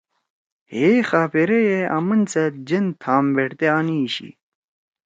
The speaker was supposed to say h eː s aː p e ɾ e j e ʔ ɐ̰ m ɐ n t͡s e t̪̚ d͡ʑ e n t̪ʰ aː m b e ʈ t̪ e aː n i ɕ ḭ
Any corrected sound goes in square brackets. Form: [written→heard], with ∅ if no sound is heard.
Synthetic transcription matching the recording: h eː [s→x] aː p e ɾ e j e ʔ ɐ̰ m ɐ n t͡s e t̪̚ d͡ʑ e n t̪ʰ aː m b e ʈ t̪ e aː n i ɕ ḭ